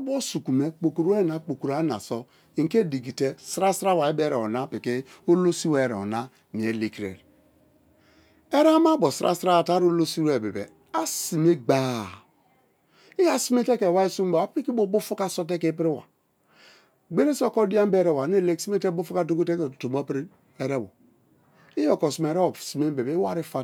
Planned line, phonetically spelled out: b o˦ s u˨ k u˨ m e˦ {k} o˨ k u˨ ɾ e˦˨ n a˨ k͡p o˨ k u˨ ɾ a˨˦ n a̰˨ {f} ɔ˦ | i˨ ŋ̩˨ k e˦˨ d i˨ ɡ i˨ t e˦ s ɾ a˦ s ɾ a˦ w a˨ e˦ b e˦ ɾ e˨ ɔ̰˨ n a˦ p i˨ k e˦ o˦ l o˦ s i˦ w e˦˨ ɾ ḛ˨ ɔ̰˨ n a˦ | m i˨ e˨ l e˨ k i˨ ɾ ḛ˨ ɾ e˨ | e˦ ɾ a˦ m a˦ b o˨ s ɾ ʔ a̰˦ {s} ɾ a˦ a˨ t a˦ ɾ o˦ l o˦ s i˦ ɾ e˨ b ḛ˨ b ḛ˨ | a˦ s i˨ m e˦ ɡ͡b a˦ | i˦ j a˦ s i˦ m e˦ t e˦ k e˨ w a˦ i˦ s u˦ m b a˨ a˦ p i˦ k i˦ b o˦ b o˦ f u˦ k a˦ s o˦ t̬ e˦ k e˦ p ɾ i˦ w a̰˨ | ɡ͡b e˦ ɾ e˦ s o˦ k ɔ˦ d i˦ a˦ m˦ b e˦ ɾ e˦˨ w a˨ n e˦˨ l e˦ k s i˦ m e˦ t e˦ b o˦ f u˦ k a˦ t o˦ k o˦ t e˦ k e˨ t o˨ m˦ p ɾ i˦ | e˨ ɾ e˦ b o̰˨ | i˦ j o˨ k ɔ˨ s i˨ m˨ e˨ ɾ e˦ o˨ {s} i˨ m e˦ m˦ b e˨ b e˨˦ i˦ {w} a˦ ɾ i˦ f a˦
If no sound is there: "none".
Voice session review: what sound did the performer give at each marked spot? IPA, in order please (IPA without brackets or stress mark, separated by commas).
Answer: k͡p, s, s, s, w